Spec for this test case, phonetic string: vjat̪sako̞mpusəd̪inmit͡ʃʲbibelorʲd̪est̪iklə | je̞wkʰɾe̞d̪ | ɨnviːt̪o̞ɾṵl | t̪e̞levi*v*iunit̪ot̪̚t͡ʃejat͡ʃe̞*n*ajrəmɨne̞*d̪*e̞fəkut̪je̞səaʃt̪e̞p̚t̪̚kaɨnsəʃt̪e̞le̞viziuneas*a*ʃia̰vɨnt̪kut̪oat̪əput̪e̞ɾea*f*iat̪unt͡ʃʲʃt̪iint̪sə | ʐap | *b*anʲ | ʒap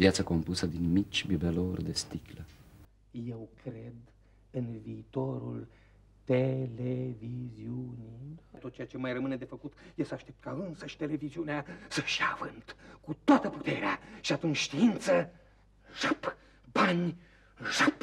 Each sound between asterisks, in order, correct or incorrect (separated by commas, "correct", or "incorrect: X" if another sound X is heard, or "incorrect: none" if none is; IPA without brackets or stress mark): incorrect: z, incorrect: m, correct, incorrect: ə, incorrect: ʃ, correct